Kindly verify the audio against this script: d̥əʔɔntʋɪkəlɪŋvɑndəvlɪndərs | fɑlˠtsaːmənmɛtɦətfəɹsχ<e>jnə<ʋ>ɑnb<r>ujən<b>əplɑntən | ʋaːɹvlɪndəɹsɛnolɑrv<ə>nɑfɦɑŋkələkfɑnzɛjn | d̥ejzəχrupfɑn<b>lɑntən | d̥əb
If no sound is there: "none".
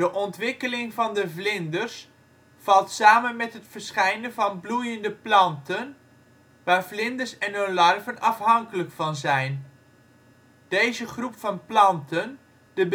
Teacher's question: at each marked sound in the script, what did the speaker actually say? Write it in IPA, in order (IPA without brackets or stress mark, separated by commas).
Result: ɛ, v, l, d, ə, p